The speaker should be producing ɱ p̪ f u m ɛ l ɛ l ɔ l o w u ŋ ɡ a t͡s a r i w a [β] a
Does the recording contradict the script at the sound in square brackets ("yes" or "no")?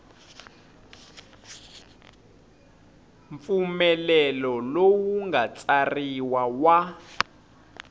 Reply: yes